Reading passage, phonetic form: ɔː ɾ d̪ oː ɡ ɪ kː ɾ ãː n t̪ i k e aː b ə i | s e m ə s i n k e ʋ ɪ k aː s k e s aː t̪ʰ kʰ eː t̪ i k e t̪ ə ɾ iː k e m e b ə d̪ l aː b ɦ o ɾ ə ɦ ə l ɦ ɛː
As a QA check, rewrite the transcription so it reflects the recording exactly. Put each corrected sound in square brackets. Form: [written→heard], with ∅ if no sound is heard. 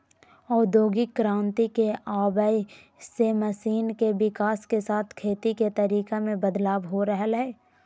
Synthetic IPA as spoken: ɔː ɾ d̪ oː ɡ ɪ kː ɾ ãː n t̪ i k e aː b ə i | s e m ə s [i→iː] n k e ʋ ɪ k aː s k e s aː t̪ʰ kʰ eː t̪ i k e t̪ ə ɾ iː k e m [e→ẽ] b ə d̪ l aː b ɦ o ɾ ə ɦ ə l ɦ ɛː